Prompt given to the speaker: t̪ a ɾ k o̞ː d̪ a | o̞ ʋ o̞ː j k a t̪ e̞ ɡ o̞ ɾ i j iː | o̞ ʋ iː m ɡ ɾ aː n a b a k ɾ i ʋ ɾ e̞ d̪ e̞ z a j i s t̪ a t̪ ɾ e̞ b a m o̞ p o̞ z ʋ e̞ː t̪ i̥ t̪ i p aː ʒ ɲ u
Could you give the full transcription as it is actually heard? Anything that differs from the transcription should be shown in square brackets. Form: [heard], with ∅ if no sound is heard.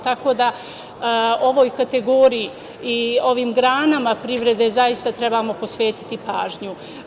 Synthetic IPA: t̪ a [∅] k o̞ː d̪ a | o̞ ʋ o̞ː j k a t̪ e̞ ɡ o̞ ɾ i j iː | o̞ ʋ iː m ɡ ɾ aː n a [m] a [p] ɾ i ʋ ɾ e̞ d̪ e̞ z a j i s t̪ a t̪ ɾ e̞ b a m o̞ p o̞ [s] ʋ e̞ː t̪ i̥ t̪ i p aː ʒ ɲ u